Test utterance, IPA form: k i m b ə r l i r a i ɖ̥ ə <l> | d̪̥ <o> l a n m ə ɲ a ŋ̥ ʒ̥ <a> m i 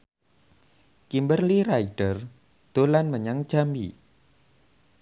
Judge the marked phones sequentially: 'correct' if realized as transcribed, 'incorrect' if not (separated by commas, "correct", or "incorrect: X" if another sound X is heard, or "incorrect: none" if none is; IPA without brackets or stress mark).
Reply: incorrect: r, correct, correct